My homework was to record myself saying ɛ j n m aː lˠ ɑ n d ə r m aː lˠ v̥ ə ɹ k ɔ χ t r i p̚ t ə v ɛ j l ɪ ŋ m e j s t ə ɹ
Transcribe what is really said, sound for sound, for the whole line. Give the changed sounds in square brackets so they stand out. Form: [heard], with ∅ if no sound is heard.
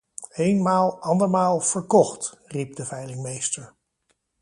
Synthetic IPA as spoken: [e] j n m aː lˠ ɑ n d ə [ɹ] m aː lˠ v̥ ə ɹ k ɔ χ t r i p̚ [d] ə v ɛ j l ɪ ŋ m e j s t ə ɹ